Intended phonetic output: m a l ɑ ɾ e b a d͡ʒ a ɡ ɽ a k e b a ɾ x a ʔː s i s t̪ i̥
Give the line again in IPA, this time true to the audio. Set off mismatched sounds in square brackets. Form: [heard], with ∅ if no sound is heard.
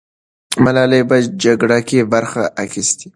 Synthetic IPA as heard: m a l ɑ [l] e b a d͡ʒ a ɡ ɽ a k e b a ɾ x a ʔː [x] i s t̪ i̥

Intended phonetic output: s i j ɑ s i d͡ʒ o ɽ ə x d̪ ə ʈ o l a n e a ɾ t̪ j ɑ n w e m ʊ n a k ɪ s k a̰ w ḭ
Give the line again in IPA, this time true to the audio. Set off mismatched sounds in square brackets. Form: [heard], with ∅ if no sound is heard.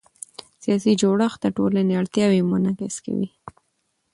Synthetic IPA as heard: s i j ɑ s i d͡ʒ o ɽ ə x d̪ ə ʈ o l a n e a [ɽ] t̪ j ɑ [∅] w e m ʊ n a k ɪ s k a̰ w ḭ

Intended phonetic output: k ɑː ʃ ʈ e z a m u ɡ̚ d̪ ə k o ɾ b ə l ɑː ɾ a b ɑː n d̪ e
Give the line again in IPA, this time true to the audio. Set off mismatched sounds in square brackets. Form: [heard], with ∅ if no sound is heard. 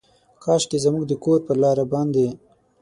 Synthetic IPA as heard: k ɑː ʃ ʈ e z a m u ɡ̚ d̪ ə k o ɾ [p] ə l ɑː ɾ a b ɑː n d̪ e

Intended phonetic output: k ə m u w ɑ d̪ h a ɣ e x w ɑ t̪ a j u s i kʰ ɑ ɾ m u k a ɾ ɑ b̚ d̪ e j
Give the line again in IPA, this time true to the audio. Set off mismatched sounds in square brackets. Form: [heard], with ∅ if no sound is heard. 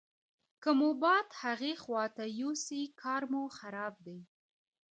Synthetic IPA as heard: k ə m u [b] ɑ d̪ h a ɣ e x w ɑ t̪ a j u s i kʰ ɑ ɾ m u [x] a ɾ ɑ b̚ d̪ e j

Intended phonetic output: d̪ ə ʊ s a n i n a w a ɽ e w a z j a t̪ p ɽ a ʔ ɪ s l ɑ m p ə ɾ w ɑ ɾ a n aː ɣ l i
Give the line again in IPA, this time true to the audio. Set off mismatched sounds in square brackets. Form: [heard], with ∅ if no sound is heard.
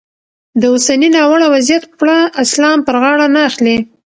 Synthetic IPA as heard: d̪ ə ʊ s a n i n [ɑ] w a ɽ [a] w a z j a t̪ p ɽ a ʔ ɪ s l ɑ m p ə ɾ [ɣ] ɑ [ɽ] a n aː [x] l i

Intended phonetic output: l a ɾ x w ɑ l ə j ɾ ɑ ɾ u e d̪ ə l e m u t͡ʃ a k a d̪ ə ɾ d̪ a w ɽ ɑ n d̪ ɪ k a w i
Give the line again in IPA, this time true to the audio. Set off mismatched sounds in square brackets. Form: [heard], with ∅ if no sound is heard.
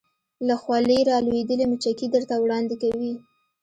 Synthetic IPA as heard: l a [∅] x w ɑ l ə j ɾ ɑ [l] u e d̪ ə l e m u t͡ʃ a k [i] d̪ ə ɾ [t̪] a w ɽ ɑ n d̪ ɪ k a w i

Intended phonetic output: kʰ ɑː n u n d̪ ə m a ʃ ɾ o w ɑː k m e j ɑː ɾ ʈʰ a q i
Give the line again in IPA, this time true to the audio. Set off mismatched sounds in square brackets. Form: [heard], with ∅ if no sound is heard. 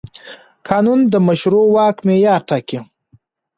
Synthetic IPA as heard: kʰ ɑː n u n d̪ ə m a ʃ ɾ o w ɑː k m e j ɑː ɾ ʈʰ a [k] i

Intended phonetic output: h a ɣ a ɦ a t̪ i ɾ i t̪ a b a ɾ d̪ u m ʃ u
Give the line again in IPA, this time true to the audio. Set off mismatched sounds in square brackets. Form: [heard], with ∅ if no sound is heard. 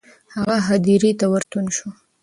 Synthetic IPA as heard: h a ɣ a ɦ a [d̪] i ɾ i t̪ a [w] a ɾ [t̪] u [n] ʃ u

